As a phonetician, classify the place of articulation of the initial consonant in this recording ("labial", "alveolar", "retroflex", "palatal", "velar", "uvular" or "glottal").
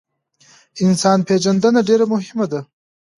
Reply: alveolar